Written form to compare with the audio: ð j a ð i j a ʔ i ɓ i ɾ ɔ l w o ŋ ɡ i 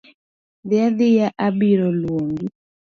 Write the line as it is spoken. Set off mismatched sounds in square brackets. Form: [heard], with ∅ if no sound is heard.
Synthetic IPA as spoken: ð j a ð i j a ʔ [a] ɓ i ɾ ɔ l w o ŋ ɡ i